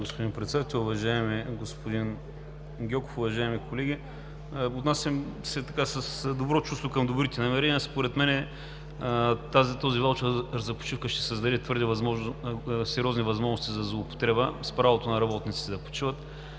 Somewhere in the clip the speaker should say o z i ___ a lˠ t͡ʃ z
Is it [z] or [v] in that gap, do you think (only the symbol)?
v